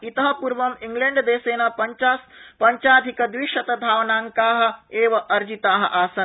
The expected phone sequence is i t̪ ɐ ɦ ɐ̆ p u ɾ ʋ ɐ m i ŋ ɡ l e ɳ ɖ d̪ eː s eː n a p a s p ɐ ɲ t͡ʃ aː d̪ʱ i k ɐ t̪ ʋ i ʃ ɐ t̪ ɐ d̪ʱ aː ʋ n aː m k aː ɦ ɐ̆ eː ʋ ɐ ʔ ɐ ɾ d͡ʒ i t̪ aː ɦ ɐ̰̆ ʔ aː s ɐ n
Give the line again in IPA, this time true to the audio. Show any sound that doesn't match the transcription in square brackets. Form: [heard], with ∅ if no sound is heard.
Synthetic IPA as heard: i t̪ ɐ ɦ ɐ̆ p u ɾ ʋ ɐ m i ŋ ɡ l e ɳ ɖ d̪ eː s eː n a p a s p ɐ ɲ t͡ʃ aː d̪ʱ i k ɐ [d̪] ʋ i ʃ ɐ t̪ ɐ d̪ʱ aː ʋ n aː [ŋ] k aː ɦ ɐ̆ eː ʋ ɐ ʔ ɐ ɾ d͡ʒ i t̪ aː ɦ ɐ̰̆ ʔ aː s ɐ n